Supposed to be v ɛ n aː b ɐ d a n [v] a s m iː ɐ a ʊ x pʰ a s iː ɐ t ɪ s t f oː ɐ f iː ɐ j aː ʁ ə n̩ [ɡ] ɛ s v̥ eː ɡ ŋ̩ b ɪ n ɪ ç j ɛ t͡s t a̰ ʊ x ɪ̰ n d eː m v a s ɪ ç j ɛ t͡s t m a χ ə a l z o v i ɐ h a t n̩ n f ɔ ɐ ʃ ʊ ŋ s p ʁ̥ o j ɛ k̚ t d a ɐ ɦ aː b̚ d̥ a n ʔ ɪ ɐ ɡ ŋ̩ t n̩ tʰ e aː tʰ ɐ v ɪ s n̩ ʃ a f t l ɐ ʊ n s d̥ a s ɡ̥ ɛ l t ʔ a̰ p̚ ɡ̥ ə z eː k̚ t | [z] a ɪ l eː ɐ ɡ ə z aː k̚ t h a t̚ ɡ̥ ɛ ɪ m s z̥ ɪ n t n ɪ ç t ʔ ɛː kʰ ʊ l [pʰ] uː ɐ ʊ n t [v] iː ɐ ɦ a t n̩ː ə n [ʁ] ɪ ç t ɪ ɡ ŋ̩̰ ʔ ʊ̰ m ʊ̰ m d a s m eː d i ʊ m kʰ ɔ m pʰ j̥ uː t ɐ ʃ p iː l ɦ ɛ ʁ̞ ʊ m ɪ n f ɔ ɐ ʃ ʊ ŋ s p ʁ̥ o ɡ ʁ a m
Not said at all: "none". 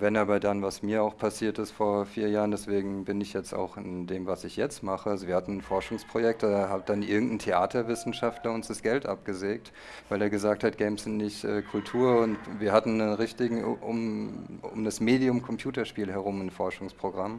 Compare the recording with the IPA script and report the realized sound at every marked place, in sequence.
v, d, v, tʰ, v, ʁ

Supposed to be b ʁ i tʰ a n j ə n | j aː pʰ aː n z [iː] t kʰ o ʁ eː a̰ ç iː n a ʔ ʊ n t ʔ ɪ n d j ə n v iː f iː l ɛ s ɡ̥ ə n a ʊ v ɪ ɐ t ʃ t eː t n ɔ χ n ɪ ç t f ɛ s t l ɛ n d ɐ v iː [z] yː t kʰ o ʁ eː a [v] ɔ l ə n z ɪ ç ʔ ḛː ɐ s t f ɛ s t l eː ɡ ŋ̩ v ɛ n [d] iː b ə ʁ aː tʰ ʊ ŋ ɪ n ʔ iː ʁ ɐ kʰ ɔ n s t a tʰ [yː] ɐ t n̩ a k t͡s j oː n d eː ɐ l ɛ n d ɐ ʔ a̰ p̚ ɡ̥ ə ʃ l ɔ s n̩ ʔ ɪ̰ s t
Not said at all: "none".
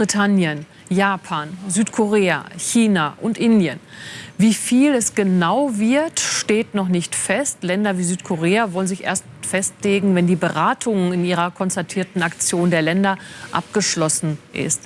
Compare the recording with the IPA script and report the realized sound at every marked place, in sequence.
yː, z, v, d, iː

